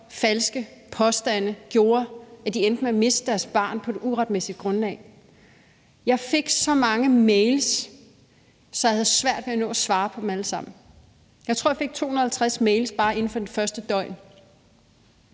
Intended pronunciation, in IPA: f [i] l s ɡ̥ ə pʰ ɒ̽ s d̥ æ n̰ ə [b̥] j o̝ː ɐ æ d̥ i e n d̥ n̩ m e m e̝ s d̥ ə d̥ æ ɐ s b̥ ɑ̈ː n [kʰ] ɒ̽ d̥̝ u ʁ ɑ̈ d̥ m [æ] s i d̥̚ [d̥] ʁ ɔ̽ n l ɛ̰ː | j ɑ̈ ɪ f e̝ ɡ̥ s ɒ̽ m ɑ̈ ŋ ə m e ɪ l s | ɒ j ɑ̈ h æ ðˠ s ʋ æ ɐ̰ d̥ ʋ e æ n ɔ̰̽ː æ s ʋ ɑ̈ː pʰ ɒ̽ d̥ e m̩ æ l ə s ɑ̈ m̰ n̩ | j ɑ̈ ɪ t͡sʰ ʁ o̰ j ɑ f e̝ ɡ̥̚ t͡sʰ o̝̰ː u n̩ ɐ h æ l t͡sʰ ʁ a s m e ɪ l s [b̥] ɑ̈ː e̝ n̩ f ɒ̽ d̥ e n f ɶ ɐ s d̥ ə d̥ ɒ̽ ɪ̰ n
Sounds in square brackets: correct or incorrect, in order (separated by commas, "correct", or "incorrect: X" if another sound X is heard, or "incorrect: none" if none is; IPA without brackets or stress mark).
incorrect: æ, incorrect: ɡ̥, incorrect: pʰ, incorrect: e, incorrect: ɡ̥, correct